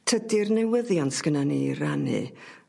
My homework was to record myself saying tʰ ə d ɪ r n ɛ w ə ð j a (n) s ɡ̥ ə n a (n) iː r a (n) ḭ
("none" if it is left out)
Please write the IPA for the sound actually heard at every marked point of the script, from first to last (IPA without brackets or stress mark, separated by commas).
n, n, n